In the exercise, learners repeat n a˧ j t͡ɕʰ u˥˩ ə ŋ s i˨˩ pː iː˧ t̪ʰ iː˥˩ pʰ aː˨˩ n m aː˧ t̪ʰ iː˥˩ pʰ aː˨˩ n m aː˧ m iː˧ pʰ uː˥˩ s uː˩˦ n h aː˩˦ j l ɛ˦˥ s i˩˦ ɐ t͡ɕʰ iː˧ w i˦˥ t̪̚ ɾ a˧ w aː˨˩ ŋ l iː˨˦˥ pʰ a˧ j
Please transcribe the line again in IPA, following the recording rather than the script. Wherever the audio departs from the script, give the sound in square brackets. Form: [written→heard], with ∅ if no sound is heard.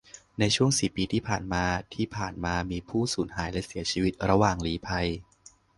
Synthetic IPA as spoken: n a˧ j t͡ɕʰ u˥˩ ə ŋ s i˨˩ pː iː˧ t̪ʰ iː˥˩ pʰ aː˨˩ n m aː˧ t̪ʰ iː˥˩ pʰ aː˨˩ n m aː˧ m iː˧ pʰ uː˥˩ s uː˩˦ n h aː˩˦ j l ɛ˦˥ s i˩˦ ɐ t͡ɕʰ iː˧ w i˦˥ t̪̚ ɾ a˧ w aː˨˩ ŋ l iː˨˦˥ pʰ a˧ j